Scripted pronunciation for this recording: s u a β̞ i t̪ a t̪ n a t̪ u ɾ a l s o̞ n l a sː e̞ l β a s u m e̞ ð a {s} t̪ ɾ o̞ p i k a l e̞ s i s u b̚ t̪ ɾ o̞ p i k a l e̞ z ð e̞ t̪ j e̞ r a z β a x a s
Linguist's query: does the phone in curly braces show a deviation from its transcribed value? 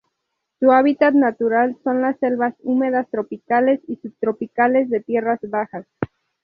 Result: no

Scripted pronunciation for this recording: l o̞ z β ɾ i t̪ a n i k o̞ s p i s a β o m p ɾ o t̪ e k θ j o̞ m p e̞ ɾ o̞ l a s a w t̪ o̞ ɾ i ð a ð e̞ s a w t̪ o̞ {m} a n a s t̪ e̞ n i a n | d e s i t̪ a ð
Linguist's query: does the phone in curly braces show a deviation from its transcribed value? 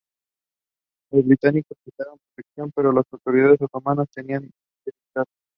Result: no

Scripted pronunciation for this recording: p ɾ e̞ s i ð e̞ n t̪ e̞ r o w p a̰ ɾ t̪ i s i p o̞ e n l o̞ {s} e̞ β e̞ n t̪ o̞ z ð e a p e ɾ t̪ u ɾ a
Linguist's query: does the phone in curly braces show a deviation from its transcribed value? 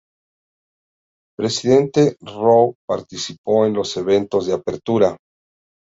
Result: no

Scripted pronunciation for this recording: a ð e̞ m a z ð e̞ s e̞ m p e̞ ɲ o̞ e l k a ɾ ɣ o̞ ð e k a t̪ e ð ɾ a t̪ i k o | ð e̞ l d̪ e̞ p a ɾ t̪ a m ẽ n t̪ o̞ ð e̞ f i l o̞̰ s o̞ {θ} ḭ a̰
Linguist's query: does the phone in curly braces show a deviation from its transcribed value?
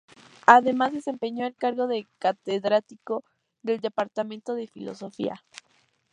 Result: yes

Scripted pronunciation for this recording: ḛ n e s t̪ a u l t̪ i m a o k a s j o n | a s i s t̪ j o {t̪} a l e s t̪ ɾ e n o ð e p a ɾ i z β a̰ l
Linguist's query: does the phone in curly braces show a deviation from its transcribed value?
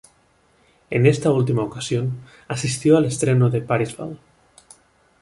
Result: yes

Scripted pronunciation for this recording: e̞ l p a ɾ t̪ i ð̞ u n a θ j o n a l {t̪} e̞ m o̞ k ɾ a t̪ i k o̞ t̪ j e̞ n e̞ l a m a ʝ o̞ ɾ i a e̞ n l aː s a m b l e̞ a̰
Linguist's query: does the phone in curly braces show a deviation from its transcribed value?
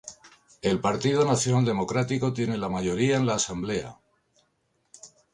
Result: yes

